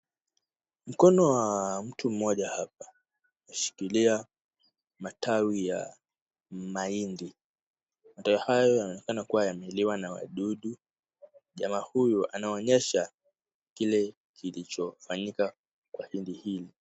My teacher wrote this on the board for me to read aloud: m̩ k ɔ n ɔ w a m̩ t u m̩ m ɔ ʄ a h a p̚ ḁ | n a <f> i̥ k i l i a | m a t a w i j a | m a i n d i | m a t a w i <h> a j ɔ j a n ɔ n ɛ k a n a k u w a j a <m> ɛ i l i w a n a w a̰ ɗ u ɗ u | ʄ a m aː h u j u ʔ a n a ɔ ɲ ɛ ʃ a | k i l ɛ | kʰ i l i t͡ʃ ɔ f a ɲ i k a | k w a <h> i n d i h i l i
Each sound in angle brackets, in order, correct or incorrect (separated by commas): incorrect, correct, correct, correct